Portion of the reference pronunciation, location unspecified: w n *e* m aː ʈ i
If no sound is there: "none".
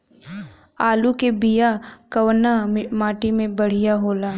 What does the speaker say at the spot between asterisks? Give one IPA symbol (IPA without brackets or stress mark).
a